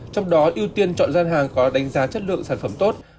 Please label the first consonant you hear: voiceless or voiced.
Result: voiceless